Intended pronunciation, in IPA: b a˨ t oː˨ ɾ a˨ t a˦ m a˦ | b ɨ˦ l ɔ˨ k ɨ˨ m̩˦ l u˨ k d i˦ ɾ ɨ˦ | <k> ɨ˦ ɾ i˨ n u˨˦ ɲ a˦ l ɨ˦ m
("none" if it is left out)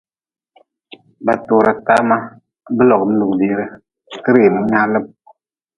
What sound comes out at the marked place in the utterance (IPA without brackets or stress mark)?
k